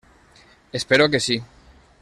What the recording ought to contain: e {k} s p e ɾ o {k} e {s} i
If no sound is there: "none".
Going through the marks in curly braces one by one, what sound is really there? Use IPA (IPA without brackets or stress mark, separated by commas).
none, k, s